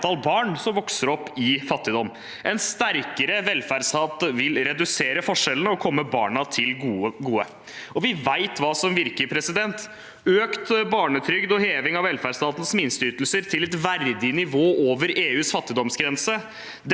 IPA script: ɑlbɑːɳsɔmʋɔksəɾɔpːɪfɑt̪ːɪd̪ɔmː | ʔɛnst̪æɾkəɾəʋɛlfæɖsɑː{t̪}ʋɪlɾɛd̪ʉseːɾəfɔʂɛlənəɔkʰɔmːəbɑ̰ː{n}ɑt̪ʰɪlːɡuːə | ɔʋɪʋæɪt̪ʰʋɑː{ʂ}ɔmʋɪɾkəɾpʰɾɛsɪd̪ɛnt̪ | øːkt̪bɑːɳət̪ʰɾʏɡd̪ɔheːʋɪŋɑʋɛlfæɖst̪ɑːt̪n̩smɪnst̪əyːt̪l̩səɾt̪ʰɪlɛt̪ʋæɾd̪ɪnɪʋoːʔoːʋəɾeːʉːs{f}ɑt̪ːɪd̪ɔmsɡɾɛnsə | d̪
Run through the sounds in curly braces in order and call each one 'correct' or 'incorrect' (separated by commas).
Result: correct, incorrect, incorrect, correct